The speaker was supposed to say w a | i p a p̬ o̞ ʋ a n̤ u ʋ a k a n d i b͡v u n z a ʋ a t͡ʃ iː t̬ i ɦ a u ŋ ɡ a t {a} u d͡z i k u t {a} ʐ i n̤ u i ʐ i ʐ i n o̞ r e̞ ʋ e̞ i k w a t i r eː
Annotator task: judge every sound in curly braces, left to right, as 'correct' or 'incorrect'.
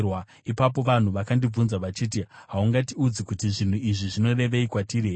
incorrect, incorrect

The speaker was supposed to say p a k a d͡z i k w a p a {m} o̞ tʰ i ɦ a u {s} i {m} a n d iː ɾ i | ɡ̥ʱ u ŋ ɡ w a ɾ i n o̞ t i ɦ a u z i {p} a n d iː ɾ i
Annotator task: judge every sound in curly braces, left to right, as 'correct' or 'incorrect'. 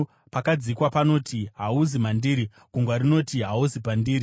incorrect, incorrect, correct, correct

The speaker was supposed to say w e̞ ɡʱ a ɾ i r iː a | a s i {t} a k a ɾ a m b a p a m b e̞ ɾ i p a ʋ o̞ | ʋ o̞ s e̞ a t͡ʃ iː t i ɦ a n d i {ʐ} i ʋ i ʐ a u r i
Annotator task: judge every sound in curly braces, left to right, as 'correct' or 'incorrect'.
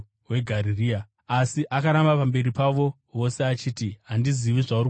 incorrect, incorrect

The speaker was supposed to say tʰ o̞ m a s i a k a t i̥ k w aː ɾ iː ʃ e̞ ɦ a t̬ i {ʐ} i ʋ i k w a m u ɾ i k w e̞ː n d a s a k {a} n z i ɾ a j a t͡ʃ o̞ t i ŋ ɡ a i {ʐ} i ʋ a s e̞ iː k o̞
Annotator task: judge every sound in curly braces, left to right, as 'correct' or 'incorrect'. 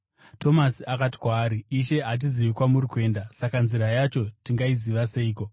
incorrect, correct, incorrect

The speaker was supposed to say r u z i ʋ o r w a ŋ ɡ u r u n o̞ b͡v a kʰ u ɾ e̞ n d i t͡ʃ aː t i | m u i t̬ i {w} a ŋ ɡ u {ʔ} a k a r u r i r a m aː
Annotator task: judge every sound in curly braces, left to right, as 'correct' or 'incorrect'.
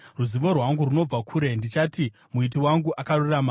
correct, correct

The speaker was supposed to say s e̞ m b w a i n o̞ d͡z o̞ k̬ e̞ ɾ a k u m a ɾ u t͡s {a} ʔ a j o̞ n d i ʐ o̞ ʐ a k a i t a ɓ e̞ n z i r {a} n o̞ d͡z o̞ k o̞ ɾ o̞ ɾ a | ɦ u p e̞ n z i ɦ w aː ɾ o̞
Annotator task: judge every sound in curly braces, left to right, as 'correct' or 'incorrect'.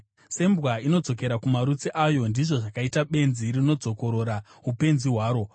incorrect, incorrect

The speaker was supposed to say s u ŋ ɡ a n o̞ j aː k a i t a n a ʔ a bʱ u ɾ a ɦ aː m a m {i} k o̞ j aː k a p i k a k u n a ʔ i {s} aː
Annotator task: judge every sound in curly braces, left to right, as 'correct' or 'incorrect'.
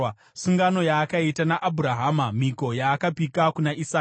correct, correct

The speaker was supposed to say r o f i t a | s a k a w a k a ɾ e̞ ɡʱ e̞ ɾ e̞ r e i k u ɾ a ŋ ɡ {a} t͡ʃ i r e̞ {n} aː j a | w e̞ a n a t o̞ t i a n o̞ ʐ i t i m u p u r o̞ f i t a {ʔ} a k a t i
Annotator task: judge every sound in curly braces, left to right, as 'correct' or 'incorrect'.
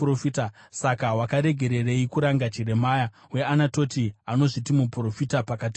correct, incorrect, incorrect

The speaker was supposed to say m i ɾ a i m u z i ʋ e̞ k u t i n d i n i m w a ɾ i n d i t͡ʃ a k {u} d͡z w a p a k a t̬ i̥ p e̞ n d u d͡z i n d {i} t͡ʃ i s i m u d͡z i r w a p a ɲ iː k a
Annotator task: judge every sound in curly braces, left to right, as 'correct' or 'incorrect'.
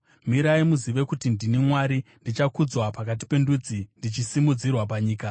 correct, correct

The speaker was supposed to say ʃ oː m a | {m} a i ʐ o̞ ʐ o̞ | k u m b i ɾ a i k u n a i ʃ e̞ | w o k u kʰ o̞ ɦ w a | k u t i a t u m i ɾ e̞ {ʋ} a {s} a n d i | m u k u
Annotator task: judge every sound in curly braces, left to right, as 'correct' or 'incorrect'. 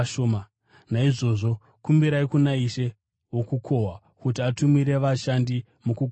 incorrect, correct, incorrect

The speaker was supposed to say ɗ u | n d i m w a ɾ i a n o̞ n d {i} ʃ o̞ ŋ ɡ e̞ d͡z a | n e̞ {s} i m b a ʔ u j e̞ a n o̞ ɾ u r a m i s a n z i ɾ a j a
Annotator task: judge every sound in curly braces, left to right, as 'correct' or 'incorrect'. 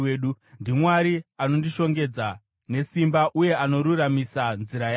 correct, correct

